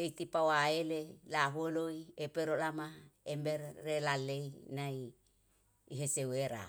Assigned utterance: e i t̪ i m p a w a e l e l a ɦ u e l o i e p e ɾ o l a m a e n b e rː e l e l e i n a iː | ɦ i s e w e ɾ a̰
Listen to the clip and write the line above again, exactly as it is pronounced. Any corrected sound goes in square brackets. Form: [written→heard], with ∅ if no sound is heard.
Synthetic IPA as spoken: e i t̪ i [m→∅] p a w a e l e l a ɦ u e l o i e p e ɾ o l a m a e [n→m] b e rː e l [e→a] l e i n a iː | ɦ [i→e] s e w e ɾ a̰

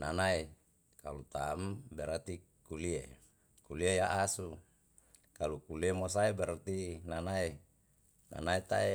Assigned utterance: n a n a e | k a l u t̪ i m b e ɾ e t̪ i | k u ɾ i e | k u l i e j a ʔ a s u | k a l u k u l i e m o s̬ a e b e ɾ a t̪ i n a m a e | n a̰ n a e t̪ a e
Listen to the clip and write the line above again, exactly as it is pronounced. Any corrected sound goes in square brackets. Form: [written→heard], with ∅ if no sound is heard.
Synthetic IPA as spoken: n a n a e | k a l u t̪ [i→a] m b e ɾ [e→a] t̪ i | k u [ɾ→l] i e | k u l i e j a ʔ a s u | k a l u k u l i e m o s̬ a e b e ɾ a t̪ i n a [m→n] a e | n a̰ n a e t̪ a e

